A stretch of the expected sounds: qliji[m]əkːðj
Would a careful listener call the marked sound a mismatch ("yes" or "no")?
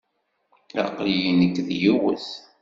yes